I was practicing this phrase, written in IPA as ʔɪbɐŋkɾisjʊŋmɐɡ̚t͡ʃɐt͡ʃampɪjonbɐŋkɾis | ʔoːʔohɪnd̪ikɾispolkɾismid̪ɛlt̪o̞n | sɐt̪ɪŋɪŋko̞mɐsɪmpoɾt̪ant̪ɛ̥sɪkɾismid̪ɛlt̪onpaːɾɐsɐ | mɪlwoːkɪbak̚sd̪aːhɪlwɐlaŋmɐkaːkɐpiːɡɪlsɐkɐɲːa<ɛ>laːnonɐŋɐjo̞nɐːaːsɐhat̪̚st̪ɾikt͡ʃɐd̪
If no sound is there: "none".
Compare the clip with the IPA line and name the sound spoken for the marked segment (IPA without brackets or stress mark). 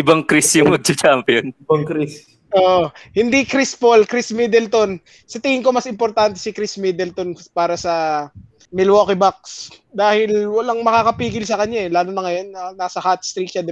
ɛ